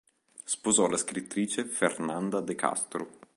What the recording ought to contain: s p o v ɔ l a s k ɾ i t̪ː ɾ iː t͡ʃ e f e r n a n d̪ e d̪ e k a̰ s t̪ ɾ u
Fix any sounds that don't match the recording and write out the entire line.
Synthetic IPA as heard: s p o z ɔ l a s k ɾ i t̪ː ɾ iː t͡ʃ e f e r n a n d̪ a d̪ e k a̰ s t̪ ɾ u